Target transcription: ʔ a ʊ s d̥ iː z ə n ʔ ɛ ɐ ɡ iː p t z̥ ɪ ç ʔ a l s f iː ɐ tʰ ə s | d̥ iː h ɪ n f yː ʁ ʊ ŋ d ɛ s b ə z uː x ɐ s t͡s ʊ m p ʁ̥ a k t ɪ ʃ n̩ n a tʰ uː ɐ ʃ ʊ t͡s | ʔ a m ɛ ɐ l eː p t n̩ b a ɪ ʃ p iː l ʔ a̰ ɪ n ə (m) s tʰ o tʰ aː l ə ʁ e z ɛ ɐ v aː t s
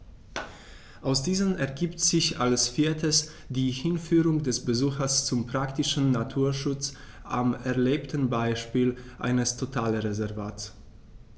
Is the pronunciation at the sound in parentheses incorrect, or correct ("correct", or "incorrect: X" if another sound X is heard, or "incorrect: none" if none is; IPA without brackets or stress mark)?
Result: incorrect: none